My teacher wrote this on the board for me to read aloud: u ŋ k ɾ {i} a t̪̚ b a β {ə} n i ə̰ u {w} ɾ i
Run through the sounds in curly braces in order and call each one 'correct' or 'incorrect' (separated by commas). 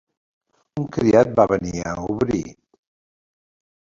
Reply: correct, correct, incorrect